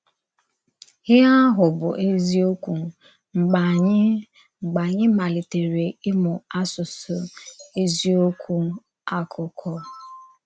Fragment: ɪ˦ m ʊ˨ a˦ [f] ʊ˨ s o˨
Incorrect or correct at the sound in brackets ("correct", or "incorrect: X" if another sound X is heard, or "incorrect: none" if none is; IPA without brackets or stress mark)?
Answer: incorrect: s